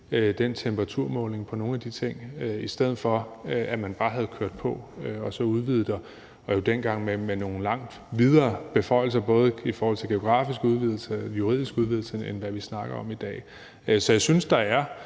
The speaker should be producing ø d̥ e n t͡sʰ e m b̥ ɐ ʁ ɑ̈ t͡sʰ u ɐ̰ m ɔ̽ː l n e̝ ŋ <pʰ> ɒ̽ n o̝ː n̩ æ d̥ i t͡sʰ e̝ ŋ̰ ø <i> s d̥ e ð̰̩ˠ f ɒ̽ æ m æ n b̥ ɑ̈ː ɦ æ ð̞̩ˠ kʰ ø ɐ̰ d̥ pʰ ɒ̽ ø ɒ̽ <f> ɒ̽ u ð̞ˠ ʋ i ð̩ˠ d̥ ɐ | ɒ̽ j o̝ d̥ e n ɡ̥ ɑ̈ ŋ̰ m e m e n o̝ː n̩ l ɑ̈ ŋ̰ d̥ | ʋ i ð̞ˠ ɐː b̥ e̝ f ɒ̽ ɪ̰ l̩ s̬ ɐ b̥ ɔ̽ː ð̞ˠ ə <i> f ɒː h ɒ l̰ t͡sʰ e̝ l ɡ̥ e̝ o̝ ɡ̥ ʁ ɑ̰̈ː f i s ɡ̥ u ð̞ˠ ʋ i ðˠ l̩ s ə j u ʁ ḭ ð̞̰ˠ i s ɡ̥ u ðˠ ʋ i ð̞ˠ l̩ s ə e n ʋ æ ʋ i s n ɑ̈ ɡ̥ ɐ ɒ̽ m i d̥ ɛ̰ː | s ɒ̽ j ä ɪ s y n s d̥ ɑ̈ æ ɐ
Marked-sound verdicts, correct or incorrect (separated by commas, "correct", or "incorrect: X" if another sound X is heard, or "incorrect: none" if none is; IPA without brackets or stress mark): correct, correct, incorrect: s, correct